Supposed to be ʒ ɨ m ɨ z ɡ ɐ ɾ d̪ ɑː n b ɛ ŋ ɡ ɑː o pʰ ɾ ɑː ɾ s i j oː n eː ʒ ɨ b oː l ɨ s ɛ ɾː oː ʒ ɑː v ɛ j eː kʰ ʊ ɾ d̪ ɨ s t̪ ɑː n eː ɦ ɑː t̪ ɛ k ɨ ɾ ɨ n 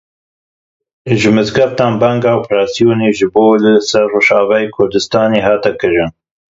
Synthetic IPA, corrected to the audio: ʒ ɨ m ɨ z ɡ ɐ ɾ t̪ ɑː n b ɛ ŋ ɡ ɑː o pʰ ɾ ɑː s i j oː n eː ʒ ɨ b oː l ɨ s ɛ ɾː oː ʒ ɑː v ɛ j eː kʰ ʊ ɾ d̪ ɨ s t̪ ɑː n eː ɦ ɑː t̪ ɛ k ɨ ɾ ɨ n